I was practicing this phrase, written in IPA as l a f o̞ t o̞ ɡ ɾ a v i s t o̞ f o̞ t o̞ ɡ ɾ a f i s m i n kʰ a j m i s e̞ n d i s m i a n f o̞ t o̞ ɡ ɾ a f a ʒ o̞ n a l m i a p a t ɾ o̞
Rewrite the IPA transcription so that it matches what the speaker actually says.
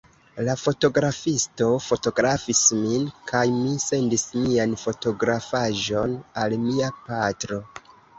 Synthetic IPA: l a f o̞ t o̞ ɡ ɾ a f i s t o̞ f o̞ t o̞ ɡ ɾ a f i s m i n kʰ a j m i s e̞ n d i s m i a n f o̞ t o̞ ɡ ɾ a f a ʒ o̞ n a l m i a p a t ɾ o̞